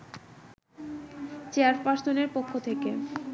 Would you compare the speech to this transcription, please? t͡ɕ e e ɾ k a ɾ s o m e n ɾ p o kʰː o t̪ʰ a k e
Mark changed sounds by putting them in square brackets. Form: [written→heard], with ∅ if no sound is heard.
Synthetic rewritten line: t͡ɕ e [e→a] ɾ [k→p] a ɾ s o [m→n] e [n→∅] ɾ p o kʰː o t̪ʰ [a→e] k e